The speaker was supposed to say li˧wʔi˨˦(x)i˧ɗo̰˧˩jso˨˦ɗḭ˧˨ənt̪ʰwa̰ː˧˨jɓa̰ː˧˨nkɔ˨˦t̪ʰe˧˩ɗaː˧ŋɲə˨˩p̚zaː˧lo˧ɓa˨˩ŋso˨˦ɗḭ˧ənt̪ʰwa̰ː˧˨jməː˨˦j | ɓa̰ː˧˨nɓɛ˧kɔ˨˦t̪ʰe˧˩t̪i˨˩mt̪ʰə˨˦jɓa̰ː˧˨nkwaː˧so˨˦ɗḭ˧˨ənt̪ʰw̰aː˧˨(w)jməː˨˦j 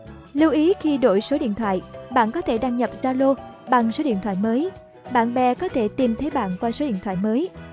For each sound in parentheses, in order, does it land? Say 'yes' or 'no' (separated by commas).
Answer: yes, no